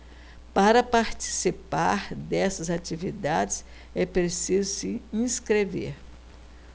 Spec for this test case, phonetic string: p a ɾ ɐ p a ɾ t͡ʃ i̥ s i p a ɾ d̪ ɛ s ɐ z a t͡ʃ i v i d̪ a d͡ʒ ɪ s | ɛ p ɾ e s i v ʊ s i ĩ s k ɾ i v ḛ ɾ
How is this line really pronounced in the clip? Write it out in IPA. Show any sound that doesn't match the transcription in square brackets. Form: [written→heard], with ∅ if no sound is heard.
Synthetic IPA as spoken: p a ɾ ɐ p a ɾ t͡ʃ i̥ s i p a ɾ d̪ ɛ s ɐ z a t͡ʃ i v i d̪ a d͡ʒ ɪ s | ɛ p ɾ e s i [v→z] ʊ s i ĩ s k ɾ [i→e] v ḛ ɾ